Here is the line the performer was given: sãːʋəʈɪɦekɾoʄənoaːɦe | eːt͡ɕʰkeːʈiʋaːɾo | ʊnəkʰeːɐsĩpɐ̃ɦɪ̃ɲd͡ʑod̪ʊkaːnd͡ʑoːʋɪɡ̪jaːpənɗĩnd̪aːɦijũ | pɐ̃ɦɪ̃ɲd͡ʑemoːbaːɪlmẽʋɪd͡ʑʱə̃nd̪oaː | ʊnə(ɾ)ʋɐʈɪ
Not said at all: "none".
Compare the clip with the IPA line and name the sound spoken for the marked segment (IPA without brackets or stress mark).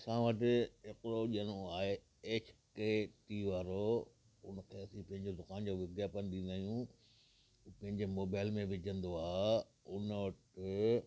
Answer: none